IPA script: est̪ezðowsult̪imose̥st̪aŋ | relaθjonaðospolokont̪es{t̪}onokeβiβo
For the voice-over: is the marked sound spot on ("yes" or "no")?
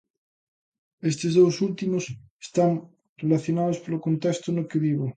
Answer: yes